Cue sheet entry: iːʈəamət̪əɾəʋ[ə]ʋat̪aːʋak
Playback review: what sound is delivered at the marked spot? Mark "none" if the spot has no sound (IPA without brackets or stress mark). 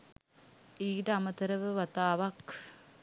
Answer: ə